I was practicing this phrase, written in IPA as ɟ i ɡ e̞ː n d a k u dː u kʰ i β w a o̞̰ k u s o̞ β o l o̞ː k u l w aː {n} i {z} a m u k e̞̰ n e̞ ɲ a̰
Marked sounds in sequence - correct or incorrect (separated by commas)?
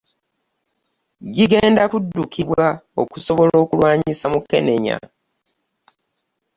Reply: incorrect, incorrect